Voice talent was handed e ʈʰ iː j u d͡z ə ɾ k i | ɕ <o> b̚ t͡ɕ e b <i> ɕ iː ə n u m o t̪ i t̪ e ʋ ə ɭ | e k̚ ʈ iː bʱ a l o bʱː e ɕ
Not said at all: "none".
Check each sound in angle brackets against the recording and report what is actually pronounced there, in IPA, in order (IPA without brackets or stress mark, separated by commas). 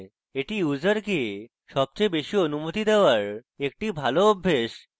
ɔ, e